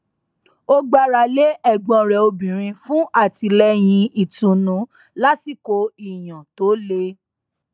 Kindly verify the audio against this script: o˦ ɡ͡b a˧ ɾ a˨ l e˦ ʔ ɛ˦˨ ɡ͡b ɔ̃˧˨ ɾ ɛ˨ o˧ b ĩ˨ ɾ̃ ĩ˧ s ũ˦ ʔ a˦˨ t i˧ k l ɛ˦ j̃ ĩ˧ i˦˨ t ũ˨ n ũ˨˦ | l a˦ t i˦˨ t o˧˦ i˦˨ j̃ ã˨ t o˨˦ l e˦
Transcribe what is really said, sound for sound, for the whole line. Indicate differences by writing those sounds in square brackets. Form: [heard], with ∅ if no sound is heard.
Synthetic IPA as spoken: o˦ ɡ͡b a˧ ɾ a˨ l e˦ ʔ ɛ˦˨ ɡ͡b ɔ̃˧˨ ɾ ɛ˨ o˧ b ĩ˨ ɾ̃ ĩ˧ [f] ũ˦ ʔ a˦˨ t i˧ [∅] l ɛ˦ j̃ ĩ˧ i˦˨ t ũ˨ n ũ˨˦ | l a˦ t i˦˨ [k] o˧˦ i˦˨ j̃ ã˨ t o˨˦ l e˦

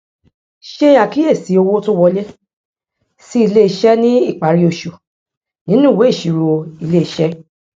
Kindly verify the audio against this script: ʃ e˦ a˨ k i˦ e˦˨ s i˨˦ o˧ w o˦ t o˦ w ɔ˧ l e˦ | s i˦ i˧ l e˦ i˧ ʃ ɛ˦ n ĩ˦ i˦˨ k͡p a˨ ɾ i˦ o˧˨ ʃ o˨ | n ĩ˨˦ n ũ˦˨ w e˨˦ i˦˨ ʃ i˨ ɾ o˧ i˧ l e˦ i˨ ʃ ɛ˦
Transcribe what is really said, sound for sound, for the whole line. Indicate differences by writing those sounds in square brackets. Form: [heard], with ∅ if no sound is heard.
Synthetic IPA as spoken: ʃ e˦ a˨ k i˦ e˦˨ s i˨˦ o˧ w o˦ t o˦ w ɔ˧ l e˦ | s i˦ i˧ l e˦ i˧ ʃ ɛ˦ n ĩ˦ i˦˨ k͡p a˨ ɾ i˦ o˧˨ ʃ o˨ | n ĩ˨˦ n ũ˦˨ w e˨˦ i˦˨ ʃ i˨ ɾ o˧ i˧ l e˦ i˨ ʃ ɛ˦

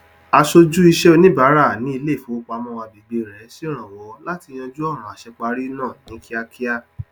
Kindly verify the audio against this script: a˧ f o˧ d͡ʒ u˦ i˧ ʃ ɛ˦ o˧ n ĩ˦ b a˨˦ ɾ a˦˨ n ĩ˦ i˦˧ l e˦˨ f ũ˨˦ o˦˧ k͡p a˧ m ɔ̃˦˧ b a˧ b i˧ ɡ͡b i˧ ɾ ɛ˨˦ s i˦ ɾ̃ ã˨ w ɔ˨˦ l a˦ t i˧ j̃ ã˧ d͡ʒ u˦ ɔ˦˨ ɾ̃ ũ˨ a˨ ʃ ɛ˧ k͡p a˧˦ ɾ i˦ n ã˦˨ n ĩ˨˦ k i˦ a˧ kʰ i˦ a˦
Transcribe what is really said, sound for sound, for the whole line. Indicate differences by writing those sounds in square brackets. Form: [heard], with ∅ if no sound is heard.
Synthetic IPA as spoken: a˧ [ʃ] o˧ d͡ʒ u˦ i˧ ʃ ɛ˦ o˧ n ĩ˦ b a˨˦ ɾ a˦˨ n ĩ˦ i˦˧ l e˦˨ f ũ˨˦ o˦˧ k͡p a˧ m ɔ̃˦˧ [w] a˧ b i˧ ɡ͡b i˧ ɾ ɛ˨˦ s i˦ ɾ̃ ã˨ w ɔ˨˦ l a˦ t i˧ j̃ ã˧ d͡ʒ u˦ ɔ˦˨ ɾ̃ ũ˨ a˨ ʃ ɛ˧ k͡p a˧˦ ɾ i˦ n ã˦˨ n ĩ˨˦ k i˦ a˧ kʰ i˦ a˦

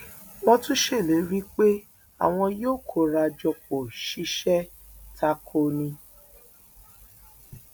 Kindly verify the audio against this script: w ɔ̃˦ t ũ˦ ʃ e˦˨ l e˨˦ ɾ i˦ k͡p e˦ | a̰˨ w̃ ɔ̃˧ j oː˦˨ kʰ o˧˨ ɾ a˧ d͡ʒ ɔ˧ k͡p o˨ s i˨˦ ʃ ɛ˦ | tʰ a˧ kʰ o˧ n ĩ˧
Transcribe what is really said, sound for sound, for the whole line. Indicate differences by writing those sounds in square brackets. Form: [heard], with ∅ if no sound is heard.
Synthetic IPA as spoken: w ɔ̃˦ t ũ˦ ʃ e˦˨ l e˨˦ ɾ i˦ k͡p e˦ | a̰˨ w̃ ɔ̃˧ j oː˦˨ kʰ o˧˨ ɾ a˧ d͡ʒ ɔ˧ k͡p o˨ [ʃ] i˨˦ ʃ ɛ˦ | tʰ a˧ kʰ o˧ n ĩ˧

